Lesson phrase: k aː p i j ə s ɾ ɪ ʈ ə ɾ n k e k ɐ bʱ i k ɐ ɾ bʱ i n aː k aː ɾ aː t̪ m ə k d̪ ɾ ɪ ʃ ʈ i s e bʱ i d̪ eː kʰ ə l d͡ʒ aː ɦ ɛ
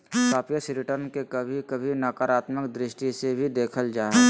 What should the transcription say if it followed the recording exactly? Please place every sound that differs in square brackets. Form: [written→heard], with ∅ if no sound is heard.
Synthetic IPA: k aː p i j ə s ɾ ɪ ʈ ə ɾ n k e k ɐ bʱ i k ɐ [ɾ→∅] bʱ i n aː k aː ɾ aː t̪ m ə k d̪ ɾ ɪ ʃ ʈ i s e bʱ i d̪ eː kʰ ə l d͡ʒ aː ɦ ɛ